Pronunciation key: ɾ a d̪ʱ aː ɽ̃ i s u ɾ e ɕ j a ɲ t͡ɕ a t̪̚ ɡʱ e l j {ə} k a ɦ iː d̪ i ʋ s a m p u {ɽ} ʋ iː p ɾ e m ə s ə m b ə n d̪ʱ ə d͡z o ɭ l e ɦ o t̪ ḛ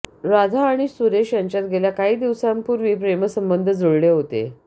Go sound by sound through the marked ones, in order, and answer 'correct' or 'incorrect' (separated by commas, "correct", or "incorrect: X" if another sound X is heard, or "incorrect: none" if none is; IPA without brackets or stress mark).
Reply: incorrect: a, incorrect: ɾ